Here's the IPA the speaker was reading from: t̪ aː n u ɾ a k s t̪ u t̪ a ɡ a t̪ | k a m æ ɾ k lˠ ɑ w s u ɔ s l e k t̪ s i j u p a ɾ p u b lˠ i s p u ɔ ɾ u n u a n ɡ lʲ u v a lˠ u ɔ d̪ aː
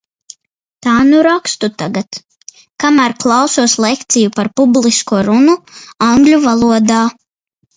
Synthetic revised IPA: t̪ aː n u ɾ a k s t̪ u t̪ a ɡ a t̪ | k a m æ ɾ k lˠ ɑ w s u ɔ s l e k t̪ s i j u p a ɾ p u b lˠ i s k u ɔ ɾ u n u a ŋ ɡ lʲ u v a lˠ u ɔ d̪ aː

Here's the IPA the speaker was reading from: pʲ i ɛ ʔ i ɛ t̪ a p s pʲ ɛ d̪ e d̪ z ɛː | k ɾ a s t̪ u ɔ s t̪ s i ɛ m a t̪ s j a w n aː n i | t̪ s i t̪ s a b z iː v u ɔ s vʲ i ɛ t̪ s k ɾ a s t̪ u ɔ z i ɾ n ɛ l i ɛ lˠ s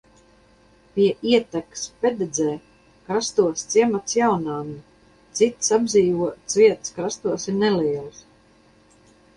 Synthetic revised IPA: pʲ i ɛ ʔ i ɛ t̪ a k s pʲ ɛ d̪ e d̪ z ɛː | k ɾ a s t̪ u ɔ s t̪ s i ɛ m a t̪ s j a w n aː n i | t̪ s i t̪ s a b z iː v u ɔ s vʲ i ɛ t̪ s k ɾ a s t̪ u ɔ s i ɾ n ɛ l i ɛ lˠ s

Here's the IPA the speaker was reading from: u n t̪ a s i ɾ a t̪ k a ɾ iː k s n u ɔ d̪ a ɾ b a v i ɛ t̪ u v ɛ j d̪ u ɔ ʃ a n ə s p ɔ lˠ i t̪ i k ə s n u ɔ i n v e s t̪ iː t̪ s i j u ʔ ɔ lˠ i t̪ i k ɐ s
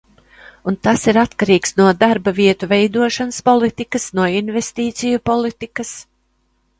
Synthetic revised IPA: u n t̪ a s i ɾ a t̪ k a ɾ iː k s n u ɔ d̪ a ɾ b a v i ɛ t̪ u v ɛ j d̪ u ɔ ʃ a n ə s p ɔ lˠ i t̪ i k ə s n u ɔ i n v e s t̪ iː t̪ s i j u p ɔ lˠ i t̪ i k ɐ s

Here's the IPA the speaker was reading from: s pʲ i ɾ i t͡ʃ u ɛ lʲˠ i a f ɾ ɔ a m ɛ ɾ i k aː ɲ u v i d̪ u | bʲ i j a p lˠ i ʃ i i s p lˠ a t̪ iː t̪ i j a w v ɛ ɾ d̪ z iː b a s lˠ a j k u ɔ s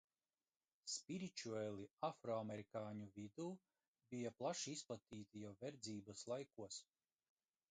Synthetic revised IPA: s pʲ i ɾ i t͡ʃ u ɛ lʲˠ i a f ɾ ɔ a m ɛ ɾ i k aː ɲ u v i d̪ uː | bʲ i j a p lˠ a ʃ i i s p lˠ a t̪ iː t̪ i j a w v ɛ ɾ d̪ z iː b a s lˠ a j k u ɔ s

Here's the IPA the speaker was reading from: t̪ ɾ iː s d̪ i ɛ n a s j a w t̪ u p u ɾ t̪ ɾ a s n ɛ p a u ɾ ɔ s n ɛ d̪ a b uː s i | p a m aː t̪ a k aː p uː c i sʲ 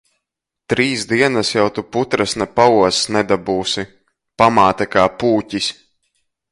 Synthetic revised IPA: t̪ ɾ iː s d̪ i ɛ n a s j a w t̪ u p u t̪ ɾ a s n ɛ p a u ɔ s n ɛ d̪ a b uː s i | p a m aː t̪ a k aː p uː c i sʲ

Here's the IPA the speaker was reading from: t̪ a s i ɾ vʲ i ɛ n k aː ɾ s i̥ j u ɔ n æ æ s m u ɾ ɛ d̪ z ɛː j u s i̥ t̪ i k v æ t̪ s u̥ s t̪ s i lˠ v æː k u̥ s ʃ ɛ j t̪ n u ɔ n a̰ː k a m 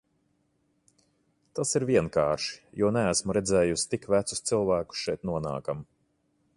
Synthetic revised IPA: t̪ a s i ɾ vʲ i ɛ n k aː ɾ ʃ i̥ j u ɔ n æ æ s m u ɾ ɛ d̪ z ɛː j u s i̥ t̪ i k v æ t̪ s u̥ s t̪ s i lˠ v æː k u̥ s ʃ ɛ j t̪ n u ɔ n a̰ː k a m

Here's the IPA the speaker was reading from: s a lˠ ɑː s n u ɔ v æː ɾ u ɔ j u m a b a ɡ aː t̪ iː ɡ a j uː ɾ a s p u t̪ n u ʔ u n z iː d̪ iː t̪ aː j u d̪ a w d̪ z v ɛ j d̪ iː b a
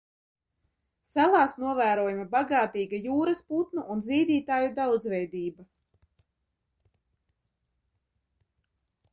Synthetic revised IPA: s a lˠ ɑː s n u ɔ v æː ɾ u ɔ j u m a b a ɡ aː t̪ iː ɡ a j uː ɾ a s p u t̪ n u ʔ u n z iː d̪ iː t̪ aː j u d̪ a w d̪ z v ɛ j d̪ iː b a

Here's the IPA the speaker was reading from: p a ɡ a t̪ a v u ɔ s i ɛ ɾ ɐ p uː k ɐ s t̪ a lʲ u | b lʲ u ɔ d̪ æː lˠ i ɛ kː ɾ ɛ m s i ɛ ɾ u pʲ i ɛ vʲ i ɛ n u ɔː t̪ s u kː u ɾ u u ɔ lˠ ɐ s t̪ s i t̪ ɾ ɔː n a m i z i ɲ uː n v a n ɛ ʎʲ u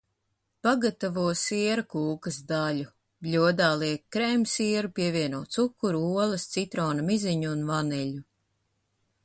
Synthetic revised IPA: p a ɡ a t̪ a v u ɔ s i ɛ ɾ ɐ k uː k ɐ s d̪ a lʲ u | b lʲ u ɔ d̪ aː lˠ i ɛ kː ɾ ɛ m s i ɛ ɾ u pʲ i ɛ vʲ i ɛ n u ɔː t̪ s u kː u ɾ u u ɔ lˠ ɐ s t̪ s i t̪ ɾ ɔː n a m i z i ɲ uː n v a n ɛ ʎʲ u

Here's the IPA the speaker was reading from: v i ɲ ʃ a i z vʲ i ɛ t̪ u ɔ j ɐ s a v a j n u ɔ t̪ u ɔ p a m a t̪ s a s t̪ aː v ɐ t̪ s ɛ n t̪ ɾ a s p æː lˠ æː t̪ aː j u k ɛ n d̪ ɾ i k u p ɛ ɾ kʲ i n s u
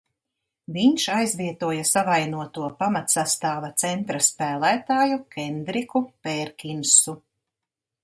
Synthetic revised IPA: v i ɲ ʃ a j z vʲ i ɛ t̪ u ɔ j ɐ s a v a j n u ɔ t̪ u ɔ p a m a t̪ s a s t̪ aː v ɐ t̪ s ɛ n t̪ ɾ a s p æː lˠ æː t̪ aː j u k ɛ n d̪ ɾ i k u p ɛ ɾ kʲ i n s u

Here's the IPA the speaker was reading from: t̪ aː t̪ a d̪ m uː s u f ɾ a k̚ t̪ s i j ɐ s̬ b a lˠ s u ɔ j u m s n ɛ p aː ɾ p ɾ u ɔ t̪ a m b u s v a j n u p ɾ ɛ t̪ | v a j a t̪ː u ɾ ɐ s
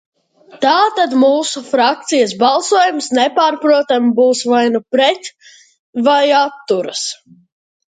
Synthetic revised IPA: t̪ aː t̪ a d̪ m uː s u f ɾ a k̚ t̪ s i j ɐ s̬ b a lˠ s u ɔ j u m s n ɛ p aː ɾ p ɾ u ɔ t̪ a m b uː s v a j n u p ɾ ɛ t̪ | v a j a t̪ː u ɾ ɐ s

